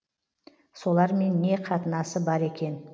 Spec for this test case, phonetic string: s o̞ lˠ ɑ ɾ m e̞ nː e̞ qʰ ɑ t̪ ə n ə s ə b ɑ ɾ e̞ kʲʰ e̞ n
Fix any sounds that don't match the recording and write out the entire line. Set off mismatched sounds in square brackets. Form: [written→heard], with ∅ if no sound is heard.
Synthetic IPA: s o̞ lˠ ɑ ɾ m e̞ nː e̞ qʰ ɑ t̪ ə n [ə→ɑ] s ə b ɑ ɾ e̞ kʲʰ e̞ n